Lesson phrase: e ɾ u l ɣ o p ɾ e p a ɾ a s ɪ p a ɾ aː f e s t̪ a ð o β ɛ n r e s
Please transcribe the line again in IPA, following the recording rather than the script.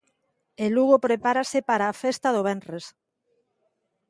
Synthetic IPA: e l u ɣ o p ɾ e p a ɾ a s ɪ p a ɾ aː f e s t̪ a ð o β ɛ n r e s